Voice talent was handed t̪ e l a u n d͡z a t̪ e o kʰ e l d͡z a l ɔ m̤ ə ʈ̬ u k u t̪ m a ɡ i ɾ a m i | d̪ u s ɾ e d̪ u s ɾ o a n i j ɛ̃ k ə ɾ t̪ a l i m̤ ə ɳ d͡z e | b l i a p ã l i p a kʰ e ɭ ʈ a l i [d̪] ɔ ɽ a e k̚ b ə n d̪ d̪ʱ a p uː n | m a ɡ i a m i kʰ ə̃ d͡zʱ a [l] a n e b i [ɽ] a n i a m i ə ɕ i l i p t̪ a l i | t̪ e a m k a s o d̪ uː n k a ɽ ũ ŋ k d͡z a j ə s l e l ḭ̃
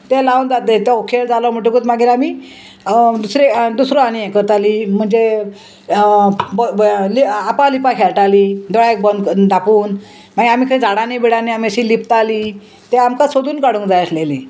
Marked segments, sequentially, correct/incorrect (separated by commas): correct, incorrect, correct